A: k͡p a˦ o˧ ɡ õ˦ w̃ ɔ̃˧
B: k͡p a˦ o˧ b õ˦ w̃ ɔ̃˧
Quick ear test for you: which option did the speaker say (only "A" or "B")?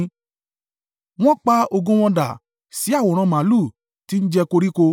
A